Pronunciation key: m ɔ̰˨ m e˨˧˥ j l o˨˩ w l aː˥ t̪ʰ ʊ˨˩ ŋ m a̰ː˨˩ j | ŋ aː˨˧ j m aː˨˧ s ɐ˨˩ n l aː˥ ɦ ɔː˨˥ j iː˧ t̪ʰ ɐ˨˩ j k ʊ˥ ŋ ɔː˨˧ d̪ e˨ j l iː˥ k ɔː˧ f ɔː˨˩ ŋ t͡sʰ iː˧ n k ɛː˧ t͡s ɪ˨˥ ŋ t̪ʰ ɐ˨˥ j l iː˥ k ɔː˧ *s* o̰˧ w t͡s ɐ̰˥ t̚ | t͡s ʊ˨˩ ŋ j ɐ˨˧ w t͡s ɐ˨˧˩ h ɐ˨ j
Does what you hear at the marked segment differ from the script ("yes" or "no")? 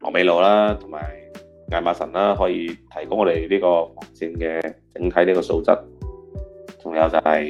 no